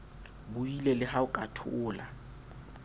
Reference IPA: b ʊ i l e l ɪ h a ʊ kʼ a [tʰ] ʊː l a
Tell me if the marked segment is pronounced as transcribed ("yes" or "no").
yes